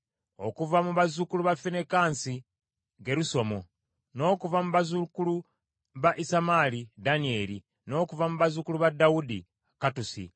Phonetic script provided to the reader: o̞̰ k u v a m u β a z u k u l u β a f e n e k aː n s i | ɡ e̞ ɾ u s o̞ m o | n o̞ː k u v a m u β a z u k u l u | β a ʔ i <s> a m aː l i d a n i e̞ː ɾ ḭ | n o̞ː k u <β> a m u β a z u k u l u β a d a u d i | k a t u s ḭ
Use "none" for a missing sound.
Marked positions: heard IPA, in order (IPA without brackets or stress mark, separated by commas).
s, v